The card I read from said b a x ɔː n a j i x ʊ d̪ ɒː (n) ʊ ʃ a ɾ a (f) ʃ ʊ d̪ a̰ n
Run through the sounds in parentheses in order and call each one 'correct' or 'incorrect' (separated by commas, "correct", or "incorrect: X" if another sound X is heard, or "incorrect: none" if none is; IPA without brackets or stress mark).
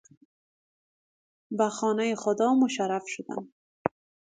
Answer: incorrect: m, correct